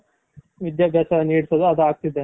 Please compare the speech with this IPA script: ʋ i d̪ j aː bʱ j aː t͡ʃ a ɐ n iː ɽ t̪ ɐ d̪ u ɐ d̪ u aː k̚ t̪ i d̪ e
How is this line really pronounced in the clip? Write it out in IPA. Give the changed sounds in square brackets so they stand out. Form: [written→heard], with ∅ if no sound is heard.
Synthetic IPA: ʋ i d̪ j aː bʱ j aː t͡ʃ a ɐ n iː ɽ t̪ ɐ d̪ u ɐ d̪ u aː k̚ t̪ i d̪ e